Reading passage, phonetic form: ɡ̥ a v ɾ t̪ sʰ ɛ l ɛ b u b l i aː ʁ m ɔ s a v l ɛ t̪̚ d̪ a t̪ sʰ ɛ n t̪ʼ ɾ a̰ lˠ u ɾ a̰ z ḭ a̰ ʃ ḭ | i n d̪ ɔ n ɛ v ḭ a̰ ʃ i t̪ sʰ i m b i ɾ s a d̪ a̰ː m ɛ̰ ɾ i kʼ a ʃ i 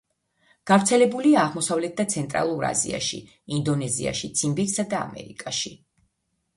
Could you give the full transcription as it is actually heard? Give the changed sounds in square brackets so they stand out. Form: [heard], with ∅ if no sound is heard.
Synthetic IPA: ɡ̥ a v ɾ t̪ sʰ ɛ l ɛ b u [∅] l i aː ʁ m ɔ s a v l ɛ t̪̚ d̪ a t̪ sʰ ɛ n t̪ʼ ɾ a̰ lˠ u ɾ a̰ z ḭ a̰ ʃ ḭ | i n d̪ ɔ n ɛ [z] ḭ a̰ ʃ i t̪ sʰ i m b i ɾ s a d̪ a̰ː m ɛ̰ ɾ i kʼ a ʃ i